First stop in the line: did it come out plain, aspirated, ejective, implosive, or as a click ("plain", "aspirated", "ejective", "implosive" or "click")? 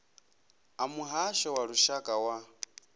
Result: ejective